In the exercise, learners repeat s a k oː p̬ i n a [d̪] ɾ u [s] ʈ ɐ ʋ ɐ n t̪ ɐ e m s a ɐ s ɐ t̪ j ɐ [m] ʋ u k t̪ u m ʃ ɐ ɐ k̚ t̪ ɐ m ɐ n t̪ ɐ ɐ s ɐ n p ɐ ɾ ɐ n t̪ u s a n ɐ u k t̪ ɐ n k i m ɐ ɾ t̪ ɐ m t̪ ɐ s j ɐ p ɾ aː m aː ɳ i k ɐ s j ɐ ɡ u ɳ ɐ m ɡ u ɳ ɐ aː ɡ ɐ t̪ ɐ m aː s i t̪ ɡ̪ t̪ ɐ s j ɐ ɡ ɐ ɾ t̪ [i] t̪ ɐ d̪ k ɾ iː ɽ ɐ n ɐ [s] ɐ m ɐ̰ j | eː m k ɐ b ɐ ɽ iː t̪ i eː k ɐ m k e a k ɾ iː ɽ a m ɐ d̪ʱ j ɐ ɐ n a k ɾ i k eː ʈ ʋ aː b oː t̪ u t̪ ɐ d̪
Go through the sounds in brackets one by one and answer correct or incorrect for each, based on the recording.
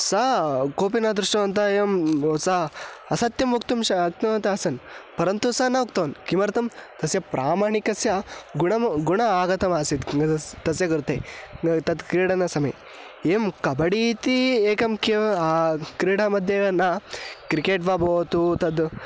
correct, incorrect: ʂ, correct, incorrect: e, correct

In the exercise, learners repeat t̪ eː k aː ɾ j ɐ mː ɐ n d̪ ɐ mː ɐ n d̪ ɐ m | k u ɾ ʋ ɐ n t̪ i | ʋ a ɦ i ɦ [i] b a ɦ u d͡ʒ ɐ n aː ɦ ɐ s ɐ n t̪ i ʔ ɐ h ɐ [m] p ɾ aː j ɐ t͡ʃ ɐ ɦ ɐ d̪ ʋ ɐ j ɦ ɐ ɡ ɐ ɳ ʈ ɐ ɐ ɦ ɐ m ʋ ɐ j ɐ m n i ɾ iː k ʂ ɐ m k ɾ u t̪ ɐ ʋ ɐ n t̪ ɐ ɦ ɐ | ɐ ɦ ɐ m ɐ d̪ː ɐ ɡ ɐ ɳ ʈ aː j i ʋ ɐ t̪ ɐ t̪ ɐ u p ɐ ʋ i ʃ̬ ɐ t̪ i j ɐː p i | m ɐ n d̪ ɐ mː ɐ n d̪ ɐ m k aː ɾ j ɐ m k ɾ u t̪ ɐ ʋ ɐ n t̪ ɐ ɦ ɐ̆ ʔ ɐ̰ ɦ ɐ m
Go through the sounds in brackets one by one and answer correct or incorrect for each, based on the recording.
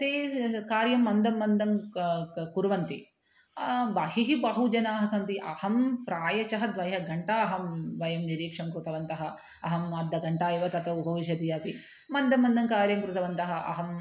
correct, correct

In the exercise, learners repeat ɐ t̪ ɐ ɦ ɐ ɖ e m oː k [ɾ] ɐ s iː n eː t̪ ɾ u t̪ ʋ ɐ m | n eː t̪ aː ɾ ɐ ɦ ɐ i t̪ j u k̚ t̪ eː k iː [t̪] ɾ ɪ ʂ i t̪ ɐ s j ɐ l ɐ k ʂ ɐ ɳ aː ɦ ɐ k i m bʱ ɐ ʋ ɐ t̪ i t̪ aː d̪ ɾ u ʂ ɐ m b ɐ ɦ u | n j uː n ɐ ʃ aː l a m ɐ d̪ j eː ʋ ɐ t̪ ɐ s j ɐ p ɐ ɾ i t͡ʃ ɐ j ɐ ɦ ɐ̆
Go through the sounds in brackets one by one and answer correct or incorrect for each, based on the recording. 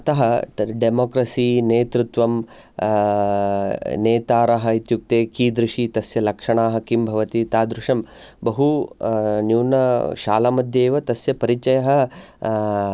correct, incorrect: d̪

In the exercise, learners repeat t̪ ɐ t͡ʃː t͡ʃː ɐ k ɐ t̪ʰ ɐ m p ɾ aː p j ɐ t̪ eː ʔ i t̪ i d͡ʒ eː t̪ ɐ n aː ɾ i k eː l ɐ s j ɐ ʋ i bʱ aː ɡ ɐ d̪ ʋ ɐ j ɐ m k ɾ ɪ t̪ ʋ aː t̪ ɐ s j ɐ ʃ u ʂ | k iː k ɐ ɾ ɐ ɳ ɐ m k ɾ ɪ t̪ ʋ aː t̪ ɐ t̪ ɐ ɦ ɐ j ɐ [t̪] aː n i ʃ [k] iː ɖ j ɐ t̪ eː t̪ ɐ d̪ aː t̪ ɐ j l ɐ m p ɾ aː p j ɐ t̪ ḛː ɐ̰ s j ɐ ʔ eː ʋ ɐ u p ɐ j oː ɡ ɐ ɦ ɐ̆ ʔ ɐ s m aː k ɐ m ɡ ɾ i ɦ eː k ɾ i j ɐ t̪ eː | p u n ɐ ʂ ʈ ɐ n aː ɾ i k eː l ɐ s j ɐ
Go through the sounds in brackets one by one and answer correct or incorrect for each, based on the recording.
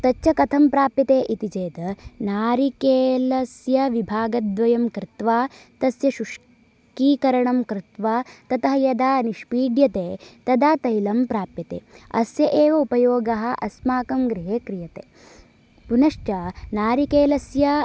incorrect: d̪, incorrect: p

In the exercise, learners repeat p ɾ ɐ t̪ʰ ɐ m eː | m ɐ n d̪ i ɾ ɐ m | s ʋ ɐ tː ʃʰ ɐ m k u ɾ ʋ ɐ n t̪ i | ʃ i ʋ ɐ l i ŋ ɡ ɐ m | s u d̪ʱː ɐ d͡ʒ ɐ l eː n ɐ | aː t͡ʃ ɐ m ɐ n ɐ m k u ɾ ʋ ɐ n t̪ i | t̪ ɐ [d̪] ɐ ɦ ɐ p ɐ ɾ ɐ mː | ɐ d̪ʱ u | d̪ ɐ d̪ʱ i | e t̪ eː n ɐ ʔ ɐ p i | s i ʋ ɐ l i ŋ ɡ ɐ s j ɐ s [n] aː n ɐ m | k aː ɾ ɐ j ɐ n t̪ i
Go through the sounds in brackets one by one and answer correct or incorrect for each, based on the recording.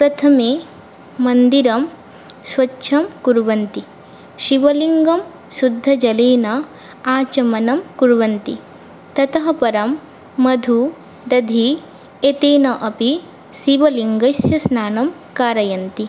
incorrect: t̪, correct

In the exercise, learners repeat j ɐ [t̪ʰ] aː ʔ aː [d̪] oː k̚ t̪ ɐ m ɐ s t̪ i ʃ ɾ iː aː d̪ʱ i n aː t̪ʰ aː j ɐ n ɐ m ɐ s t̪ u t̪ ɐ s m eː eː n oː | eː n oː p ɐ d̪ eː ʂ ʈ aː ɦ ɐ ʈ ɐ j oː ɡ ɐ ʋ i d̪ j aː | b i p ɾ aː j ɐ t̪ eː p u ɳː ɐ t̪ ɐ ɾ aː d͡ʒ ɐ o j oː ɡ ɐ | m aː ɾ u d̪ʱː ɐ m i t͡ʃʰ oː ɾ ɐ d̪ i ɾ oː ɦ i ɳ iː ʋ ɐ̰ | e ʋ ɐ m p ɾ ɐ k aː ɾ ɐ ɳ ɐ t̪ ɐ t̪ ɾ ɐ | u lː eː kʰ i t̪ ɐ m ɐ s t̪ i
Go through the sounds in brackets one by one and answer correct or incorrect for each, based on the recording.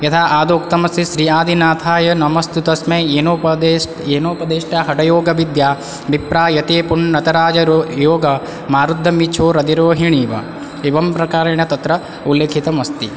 correct, correct

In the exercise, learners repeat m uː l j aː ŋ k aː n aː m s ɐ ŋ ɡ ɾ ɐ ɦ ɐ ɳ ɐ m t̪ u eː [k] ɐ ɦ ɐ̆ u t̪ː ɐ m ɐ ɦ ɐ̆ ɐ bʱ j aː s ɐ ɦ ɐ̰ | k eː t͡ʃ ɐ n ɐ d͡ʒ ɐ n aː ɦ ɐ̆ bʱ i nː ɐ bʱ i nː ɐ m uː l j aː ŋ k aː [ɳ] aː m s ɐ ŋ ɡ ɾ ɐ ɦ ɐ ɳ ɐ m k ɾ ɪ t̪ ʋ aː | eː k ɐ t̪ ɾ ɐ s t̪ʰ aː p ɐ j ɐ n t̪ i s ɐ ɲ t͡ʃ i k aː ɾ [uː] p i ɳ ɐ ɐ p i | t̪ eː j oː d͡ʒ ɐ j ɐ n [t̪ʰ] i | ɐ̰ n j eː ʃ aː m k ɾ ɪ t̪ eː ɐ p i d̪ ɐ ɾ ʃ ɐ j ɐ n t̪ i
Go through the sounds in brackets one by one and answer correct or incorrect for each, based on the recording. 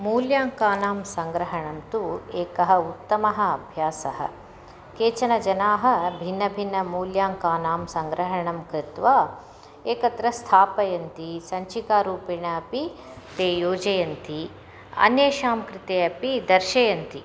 correct, incorrect: n, correct, incorrect: t̪

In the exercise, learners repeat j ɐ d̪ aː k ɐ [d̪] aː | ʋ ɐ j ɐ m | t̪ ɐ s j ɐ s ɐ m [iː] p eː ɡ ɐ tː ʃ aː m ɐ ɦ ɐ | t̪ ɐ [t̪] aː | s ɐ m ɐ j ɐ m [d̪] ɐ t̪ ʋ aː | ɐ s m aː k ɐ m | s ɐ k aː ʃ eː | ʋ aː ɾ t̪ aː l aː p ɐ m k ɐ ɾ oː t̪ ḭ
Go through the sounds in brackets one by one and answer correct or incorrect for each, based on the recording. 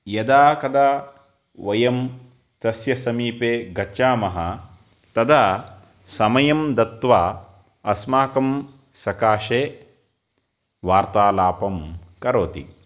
correct, correct, incorrect: d̪, correct

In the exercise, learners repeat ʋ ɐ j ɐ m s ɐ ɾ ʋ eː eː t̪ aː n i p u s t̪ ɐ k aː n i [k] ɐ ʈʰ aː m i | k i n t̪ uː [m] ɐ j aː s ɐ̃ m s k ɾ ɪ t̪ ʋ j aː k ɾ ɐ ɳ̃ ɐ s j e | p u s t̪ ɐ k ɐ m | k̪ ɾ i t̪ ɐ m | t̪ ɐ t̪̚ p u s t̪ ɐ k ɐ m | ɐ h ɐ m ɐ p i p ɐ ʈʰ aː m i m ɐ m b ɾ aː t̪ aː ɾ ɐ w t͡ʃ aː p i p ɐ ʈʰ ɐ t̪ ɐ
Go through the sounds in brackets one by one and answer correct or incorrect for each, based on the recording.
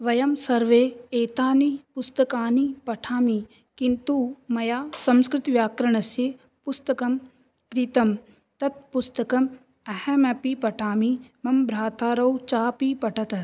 incorrect: p, correct

